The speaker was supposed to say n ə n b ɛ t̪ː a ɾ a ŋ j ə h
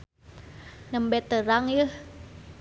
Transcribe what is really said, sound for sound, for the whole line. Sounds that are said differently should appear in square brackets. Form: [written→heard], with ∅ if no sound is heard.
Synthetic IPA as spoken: n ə [n→m] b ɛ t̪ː [a→ə] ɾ a ŋ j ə h